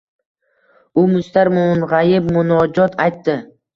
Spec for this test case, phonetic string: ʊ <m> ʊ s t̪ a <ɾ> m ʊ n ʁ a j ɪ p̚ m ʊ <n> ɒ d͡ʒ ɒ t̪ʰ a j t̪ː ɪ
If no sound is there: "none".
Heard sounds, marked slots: m, ɾ, n

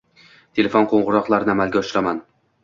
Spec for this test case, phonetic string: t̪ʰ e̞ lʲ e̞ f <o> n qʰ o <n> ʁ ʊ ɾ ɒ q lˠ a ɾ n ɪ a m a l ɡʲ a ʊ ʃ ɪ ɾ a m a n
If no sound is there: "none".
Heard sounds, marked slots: o, ɴ

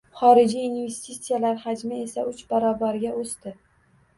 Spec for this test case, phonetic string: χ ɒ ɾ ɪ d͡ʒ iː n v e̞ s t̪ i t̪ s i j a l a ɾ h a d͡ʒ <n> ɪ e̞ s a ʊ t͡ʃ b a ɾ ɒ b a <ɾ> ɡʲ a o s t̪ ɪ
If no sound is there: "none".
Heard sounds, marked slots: m, ɾ

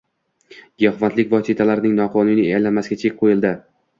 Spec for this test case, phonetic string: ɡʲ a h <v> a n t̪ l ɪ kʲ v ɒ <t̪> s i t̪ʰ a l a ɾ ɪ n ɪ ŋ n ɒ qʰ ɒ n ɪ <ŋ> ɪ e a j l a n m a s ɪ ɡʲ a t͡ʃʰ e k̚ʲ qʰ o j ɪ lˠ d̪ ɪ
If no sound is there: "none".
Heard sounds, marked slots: v, none, n

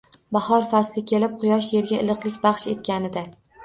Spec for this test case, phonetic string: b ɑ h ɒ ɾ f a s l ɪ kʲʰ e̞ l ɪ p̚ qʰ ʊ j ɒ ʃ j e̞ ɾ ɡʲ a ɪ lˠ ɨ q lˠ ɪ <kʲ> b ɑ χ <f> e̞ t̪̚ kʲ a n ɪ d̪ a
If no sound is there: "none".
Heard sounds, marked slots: kʲ, ʃ

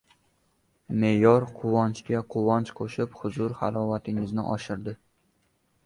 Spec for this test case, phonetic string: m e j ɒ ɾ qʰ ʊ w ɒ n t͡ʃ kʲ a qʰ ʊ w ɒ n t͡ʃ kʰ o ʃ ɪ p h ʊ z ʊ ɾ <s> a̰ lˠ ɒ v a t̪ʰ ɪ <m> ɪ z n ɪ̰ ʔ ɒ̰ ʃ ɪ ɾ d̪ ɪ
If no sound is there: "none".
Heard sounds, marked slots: h, ŋ

